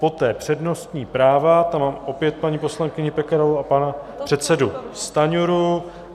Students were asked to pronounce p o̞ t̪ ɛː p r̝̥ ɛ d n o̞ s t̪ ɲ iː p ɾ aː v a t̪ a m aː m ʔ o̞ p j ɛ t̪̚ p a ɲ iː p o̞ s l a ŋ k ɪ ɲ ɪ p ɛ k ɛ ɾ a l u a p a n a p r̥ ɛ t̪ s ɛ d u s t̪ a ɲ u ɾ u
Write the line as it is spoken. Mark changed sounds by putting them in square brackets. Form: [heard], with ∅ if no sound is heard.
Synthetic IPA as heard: p o̞ t̪ ɛː p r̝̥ ɛ d n o̞ s t̪ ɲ iː p ɾ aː v a t̪ a m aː m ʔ o̞ p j ɛ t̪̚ p a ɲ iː p o̞ s l a ŋ k ɪ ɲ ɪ p ɛ k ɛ ɾ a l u a p a n a p r̥ ɛ t̪ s ɛ d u s t̪ a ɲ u ɾ u